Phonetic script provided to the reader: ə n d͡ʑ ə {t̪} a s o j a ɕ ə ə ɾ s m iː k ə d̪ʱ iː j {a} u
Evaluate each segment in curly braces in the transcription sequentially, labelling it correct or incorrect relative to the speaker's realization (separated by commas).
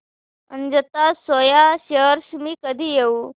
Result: correct, incorrect